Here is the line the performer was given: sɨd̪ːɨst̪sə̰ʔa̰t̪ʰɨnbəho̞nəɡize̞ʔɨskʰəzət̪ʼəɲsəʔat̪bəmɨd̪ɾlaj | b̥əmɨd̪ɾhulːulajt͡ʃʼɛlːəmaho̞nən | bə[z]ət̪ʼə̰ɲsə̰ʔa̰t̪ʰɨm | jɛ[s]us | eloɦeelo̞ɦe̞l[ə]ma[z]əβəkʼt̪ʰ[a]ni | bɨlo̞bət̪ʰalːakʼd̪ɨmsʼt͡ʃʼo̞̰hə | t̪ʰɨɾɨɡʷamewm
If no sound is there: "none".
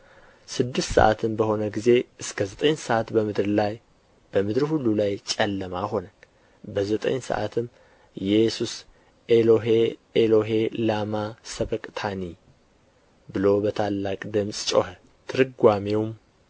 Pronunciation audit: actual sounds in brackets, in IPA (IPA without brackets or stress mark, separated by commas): z, s, a, s, a